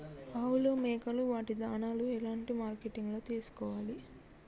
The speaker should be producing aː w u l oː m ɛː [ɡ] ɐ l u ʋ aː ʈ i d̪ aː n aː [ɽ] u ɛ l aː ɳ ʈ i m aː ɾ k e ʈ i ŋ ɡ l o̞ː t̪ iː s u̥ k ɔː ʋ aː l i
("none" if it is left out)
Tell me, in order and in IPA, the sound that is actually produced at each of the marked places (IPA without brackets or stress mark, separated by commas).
k, l